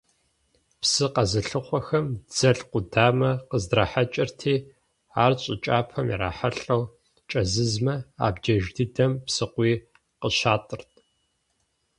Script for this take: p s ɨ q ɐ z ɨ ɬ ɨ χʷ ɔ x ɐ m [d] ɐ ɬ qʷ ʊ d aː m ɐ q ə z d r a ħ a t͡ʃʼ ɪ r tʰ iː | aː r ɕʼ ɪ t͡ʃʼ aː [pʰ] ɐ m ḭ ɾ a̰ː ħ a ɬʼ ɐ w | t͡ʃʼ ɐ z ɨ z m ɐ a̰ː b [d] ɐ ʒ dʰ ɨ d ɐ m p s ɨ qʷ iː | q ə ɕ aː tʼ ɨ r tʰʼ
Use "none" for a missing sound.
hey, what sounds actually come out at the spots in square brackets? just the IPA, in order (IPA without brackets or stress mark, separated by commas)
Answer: d͡z, pʰ, d͡ʒ